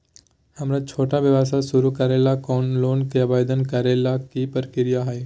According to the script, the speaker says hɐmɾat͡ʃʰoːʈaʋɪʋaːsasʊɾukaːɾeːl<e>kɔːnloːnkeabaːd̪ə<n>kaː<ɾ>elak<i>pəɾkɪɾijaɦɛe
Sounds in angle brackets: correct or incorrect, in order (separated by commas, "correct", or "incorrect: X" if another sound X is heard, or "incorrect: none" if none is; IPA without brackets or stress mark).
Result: incorrect: a, correct, correct, correct